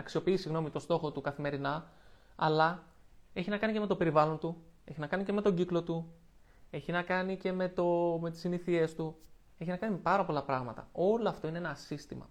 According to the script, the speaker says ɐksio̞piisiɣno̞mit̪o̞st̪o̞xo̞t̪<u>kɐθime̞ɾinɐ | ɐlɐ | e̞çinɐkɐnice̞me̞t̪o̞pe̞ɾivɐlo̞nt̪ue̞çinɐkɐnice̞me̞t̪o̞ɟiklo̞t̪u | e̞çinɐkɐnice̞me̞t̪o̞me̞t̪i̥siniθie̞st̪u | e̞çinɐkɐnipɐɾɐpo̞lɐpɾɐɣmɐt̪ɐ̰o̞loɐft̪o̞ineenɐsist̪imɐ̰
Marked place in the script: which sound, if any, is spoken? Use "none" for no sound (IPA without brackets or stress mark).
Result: u